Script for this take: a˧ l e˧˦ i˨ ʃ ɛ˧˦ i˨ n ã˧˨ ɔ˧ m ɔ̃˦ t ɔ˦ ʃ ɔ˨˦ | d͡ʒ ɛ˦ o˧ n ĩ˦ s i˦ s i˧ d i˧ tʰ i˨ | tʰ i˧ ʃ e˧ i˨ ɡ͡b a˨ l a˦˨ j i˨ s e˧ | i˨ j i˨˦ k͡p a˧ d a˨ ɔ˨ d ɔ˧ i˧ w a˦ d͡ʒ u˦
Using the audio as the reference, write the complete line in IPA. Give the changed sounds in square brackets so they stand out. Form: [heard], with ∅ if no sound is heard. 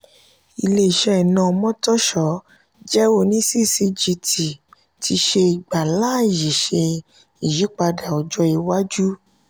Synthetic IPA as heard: [i˧] l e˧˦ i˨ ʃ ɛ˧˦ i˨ n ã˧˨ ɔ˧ m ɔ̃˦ t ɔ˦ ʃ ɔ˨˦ | d͡ʒ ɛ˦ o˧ n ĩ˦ s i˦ s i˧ [d͡ʒ] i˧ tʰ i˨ | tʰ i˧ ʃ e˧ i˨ ɡ͡b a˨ l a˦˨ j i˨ [ʃ] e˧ | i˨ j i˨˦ k͡p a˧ d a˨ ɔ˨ [d͡ʒ] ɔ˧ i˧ w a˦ d͡ʒ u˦